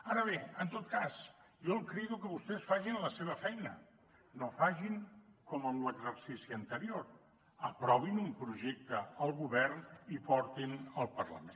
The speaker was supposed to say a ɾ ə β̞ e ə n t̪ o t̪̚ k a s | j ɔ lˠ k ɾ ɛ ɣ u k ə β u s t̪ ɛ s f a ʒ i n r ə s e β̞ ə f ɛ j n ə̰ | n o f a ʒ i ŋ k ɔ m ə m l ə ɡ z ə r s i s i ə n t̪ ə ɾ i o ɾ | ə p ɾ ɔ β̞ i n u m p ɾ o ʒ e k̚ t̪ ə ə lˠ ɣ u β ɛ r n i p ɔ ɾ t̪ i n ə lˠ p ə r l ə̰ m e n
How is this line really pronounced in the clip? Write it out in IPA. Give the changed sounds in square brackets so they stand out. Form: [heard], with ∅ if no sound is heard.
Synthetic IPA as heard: a ɾ ə β̞ e ə n t̪ o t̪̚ k a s | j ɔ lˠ k ɾ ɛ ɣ u k ə β u s t̪ ɛ s f a ʒ i n [l] ə s e β̞ ə f ɛ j n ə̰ | n o f a ʒ i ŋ k ɔ m ə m l ə ɡ z ə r s i s i ə n t̪ ə ɾ i o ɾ | ə p ɾ ɔ β̞ i n u m p ɾ [u] ʒ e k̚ t̪ ə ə lˠ ɣ u β ɛ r n i p ɔ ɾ t̪ i n ə lˠ p ə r l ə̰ m e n